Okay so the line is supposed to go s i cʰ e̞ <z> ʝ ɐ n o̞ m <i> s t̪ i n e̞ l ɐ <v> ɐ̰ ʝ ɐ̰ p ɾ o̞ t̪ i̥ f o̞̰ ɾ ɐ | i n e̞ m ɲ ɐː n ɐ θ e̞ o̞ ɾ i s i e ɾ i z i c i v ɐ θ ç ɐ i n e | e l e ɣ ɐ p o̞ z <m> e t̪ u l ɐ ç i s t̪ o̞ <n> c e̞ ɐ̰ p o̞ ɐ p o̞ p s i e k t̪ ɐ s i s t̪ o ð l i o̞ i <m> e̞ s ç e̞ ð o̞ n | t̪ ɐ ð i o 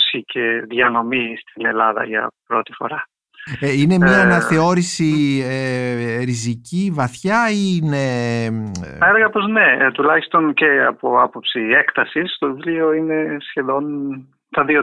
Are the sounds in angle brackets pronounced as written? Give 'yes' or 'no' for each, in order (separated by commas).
no, yes, no, no, yes, no